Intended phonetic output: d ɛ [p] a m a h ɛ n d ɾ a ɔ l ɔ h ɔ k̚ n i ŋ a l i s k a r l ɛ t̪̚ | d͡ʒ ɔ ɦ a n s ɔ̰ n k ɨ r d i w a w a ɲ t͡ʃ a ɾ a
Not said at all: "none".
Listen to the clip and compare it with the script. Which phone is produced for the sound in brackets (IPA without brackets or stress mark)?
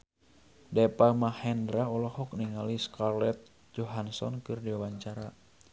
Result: p